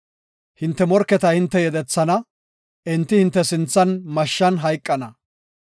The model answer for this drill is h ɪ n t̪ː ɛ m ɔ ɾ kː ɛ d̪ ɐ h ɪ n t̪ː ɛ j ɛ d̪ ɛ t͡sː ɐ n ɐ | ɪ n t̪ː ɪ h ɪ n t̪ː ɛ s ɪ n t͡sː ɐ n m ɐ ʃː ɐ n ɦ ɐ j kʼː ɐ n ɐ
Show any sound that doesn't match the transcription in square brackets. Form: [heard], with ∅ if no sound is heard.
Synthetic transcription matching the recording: h ɪ n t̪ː ɛ m ɔ ɾ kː ɛ [t̪] ɐ h ɪ n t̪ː ɛ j ɛ d̪ ɛ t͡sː ɐ n ɐ | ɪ n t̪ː ɪ h ɪ n t̪ː ɛ s ɪ n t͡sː ɐ n m ɐ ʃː ɐ n ɦ ɐ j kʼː ɐ n ɐ